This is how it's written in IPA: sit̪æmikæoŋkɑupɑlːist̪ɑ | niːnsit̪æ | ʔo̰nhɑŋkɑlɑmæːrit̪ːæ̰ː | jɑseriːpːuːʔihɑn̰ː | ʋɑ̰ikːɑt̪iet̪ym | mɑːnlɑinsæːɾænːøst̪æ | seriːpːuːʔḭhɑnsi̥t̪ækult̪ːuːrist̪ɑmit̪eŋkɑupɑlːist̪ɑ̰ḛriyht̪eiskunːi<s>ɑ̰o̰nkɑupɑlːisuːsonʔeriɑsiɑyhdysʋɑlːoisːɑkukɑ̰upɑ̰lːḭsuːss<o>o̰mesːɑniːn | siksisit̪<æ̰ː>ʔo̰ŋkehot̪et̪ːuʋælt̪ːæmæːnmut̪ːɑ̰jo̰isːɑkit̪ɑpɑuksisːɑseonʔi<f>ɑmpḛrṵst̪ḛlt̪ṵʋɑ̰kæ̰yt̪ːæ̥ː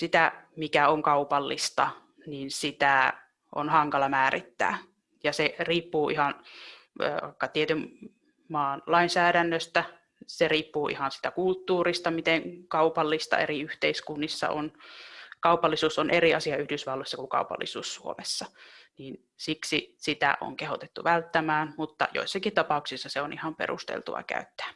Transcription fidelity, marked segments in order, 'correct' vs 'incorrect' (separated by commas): incorrect, incorrect, incorrect, incorrect